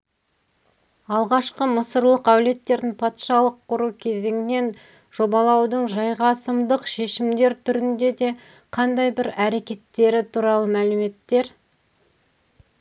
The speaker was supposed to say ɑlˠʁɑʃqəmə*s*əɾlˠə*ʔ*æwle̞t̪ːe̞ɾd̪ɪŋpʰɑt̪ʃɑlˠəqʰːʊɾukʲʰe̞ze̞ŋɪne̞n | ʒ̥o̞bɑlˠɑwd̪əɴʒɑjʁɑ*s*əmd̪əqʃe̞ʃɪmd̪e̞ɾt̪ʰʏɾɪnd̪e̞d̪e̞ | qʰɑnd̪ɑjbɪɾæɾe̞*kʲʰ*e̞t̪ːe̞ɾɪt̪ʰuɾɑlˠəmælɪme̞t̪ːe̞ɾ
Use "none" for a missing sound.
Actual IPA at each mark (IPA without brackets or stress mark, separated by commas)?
s, q, s, kʲ